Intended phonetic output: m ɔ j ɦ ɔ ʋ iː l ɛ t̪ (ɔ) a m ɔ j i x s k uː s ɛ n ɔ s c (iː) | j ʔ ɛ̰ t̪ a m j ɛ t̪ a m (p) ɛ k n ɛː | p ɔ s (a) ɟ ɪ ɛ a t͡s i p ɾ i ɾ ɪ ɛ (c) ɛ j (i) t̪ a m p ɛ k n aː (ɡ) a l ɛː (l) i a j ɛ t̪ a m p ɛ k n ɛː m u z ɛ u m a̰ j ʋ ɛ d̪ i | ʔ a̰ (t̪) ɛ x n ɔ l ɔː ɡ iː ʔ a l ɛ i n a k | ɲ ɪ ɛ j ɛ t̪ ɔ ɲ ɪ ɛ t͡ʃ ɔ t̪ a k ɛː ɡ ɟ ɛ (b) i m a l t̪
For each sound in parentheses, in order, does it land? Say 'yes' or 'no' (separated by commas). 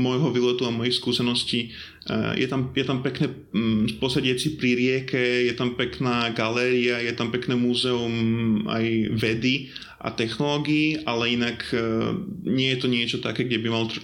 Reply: no, yes, yes, no, no, no, yes, no, yes, yes